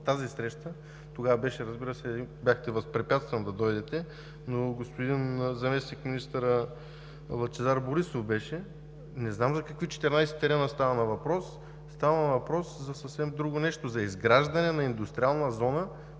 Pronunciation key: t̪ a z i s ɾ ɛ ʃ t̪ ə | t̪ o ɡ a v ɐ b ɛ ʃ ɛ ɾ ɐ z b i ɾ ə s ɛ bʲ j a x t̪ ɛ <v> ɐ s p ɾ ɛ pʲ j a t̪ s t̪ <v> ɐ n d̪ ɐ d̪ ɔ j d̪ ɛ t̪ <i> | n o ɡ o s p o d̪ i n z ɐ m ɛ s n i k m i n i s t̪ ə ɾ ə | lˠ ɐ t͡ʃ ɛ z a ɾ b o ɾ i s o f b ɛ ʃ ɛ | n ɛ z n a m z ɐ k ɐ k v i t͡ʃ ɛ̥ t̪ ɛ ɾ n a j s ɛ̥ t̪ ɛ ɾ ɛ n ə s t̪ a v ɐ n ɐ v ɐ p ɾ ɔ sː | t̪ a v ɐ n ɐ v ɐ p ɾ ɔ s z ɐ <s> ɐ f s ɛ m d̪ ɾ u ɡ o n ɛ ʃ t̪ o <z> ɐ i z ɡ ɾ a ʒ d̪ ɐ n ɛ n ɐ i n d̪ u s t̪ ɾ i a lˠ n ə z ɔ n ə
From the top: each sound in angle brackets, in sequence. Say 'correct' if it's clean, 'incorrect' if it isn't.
correct, correct, incorrect: ɛ, correct, correct

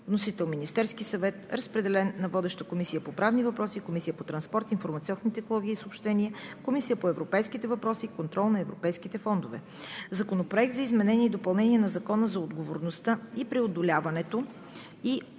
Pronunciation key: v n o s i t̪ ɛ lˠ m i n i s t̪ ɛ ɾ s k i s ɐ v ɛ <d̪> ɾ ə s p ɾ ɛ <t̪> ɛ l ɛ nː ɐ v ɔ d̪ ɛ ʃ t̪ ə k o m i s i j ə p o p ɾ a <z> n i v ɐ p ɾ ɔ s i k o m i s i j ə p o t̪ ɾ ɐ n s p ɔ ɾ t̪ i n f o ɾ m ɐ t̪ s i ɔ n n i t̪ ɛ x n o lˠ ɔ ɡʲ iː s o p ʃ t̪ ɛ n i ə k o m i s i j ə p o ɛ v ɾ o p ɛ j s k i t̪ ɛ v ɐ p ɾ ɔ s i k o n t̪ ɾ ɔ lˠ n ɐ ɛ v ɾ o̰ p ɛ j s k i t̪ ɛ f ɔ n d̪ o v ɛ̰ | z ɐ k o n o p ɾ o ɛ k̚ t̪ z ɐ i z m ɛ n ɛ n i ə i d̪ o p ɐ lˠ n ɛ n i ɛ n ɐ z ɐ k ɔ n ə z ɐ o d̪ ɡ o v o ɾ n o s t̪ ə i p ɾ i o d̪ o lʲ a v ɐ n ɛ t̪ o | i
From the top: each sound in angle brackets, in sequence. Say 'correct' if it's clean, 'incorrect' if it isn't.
incorrect: t̪, incorrect: d̪, incorrect: v

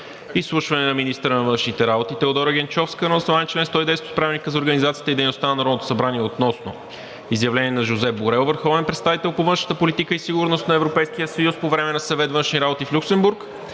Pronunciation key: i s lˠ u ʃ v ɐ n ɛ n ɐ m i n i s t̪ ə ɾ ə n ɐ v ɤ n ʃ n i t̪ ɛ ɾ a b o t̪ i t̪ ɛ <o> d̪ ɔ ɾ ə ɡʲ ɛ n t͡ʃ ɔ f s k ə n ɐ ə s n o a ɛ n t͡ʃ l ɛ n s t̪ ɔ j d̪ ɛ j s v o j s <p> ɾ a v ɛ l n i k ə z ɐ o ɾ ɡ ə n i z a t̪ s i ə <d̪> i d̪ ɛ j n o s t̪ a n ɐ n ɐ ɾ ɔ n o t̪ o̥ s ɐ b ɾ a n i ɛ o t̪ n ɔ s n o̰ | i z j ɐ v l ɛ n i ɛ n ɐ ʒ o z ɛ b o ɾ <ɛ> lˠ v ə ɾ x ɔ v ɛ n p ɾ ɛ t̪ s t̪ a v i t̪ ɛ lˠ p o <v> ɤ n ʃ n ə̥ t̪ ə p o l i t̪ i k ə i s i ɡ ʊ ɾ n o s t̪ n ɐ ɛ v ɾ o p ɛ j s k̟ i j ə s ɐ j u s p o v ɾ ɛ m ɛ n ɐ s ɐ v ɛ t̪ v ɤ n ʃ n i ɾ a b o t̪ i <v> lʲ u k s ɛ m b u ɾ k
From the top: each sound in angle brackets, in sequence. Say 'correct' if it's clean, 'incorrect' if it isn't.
correct, correct, incorrect: t̪, correct, correct, incorrect: f

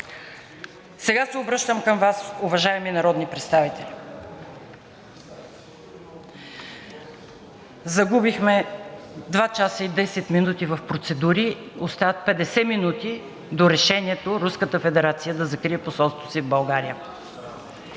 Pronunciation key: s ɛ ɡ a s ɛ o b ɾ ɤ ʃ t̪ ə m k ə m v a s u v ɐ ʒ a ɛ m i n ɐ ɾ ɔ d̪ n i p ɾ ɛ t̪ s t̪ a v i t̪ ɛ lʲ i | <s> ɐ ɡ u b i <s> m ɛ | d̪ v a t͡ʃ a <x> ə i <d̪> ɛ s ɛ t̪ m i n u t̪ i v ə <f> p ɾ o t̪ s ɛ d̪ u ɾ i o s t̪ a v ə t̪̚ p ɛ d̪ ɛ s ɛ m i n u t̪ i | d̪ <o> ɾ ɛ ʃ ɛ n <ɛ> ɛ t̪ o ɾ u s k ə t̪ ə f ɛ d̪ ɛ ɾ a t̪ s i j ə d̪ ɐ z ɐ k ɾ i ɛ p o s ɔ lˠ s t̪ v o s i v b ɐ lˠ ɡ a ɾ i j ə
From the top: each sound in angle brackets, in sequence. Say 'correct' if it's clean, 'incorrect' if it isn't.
incorrect: z, incorrect: x, incorrect: s, correct, correct, correct, incorrect: i

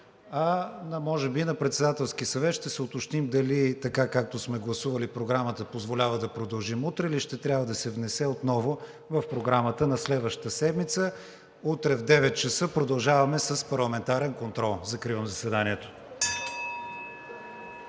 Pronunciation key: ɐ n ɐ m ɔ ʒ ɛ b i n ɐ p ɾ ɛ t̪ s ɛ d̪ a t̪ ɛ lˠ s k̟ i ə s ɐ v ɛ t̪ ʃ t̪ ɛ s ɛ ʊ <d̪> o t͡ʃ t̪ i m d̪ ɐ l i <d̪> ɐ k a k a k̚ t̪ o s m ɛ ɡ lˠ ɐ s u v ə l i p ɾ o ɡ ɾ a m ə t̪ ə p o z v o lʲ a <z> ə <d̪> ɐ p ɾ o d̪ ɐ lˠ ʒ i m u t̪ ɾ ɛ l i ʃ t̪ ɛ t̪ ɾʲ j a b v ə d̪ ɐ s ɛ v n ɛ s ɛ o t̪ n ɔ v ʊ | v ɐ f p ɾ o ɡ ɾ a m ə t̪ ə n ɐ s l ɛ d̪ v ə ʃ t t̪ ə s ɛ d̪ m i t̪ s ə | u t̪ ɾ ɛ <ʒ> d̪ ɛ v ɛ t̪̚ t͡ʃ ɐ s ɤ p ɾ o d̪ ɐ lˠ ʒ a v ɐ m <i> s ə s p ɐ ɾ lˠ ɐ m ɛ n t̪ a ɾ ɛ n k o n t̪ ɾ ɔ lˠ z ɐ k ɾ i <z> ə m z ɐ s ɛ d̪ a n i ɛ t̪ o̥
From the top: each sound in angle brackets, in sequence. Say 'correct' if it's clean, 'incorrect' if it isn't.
incorrect: t̪, incorrect: t̪, incorrect: v, correct, incorrect: v, incorrect: ɛ, incorrect: v

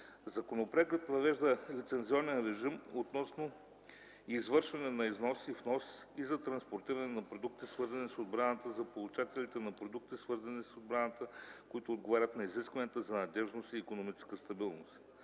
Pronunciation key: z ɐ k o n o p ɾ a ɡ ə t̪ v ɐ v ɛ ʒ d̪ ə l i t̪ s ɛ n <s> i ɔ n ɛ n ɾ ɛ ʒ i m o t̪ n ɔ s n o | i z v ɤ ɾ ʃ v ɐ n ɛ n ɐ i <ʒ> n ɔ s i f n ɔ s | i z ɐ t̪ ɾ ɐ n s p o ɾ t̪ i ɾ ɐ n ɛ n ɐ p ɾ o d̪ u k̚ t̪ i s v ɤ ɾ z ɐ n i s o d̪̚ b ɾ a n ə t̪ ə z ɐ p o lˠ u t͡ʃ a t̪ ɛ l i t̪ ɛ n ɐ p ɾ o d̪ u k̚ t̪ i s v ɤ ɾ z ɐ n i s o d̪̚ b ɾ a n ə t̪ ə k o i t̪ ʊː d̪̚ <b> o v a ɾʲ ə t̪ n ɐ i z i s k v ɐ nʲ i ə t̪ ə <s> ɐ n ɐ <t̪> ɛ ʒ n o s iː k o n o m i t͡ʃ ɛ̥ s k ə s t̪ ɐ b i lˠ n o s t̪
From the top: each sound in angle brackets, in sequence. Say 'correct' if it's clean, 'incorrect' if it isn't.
incorrect: z, incorrect: z, incorrect: ɡ, incorrect: z, incorrect: d̪

